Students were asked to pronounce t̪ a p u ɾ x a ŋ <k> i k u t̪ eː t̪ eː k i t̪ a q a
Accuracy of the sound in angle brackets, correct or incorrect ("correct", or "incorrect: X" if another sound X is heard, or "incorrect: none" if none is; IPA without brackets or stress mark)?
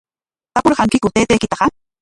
correct